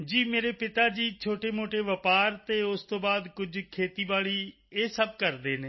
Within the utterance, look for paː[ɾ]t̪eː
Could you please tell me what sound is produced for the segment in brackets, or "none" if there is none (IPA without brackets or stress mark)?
ɾ